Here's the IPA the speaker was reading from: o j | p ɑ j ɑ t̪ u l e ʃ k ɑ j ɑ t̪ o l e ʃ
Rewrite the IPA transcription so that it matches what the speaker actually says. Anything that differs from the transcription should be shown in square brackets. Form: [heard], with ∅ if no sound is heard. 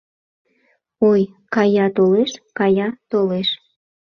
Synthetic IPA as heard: o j | [k] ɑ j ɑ t̪ [o] l e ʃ k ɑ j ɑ t̪ o l e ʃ